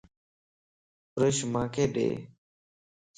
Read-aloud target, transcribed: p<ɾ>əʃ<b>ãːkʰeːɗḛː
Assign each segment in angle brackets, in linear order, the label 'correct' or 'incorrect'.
correct, incorrect

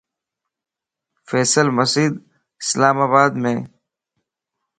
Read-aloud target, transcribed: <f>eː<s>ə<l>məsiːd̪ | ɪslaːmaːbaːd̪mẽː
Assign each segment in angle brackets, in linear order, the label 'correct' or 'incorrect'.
correct, correct, correct

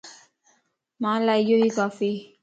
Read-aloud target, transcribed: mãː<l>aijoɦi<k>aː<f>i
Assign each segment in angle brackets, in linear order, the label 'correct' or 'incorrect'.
correct, correct, correct

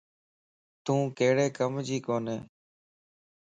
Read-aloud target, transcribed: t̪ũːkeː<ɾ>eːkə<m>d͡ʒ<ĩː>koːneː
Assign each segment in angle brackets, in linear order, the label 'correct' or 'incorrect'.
incorrect, correct, incorrect

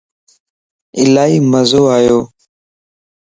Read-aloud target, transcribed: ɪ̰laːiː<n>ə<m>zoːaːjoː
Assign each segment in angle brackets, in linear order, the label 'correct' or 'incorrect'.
incorrect, incorrect

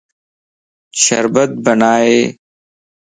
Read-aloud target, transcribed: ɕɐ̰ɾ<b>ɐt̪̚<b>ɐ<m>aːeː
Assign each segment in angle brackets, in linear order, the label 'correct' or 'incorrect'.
correct, correct, incorrect

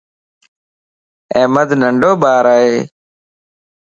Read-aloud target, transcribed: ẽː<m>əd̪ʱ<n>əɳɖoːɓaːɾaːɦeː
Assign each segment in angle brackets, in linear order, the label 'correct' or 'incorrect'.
correct, correct

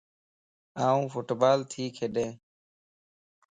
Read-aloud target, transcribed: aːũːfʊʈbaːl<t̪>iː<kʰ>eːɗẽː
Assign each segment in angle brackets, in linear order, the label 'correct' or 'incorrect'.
incorrect, correct

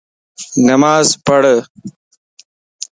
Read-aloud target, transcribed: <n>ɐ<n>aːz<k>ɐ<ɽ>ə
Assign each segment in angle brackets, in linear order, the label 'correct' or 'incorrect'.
correct, incorrect, incorrect, correct

